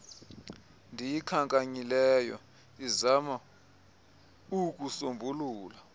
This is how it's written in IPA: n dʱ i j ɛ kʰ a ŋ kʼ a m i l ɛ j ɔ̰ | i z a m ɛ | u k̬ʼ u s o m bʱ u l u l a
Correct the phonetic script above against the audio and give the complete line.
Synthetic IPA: n dʱ i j i kʰ a ŋ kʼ a ɲ i l ɛ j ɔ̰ | i z a m a | u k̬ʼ u s o m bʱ u l uː l a